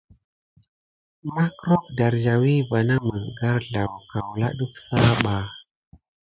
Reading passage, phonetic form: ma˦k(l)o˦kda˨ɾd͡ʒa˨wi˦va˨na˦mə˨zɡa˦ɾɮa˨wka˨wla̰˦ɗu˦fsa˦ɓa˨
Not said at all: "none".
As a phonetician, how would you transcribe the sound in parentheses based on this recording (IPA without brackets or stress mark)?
ɾ